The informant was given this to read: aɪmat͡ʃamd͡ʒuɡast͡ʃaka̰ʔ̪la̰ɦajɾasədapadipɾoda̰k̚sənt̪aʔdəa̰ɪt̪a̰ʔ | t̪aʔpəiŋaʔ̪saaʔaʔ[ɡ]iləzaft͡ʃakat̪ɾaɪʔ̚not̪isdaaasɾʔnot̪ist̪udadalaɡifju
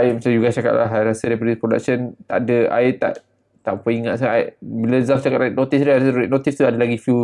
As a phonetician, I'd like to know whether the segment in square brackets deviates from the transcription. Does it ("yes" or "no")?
yes